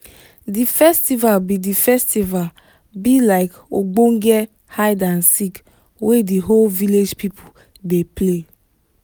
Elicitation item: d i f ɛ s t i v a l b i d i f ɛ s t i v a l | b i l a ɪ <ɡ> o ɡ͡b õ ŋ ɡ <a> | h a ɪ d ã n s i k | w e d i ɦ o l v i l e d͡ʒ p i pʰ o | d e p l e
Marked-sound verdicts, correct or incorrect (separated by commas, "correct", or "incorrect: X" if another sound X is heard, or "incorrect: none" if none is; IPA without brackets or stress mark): incorrect: k, incorrect: ɛ